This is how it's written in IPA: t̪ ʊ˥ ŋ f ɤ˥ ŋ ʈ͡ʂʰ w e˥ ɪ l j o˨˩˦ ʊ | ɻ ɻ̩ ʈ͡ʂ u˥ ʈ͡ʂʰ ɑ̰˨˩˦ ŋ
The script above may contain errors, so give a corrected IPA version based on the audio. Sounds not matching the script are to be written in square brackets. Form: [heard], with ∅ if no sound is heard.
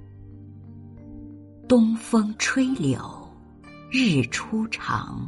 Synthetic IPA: t̪ ʊ˥ ŋ f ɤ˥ ŋ ʈ͡ʂʰ w e˥ ɪ l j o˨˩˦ ʊ | ɻ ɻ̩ [ʈ͡ʂʰ] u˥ ʈ͡ʂʰ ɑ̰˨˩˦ ŋ